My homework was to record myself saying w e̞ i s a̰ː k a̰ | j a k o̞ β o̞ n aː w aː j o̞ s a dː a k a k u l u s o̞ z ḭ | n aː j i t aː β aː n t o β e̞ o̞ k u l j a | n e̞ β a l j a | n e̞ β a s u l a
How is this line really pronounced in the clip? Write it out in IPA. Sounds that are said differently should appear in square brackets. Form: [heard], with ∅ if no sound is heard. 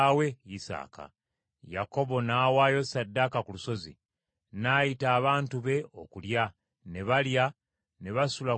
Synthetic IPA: w e̞ i s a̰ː k a̰ | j a k o̞ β o̞ n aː w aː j o̞ s a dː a k a k u l u s o̞ z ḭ | n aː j i t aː β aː n t [u] β e̞ o̞ k u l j a | n e̞ β a l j a | n e̞ β a s u l a